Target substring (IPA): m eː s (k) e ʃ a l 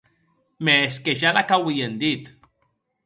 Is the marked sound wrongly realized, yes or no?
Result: no